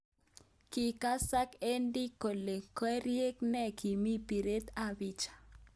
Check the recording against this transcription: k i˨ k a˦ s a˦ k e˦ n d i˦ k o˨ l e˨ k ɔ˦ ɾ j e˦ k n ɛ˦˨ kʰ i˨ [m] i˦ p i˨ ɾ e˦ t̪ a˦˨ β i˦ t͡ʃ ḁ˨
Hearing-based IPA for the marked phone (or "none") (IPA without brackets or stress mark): m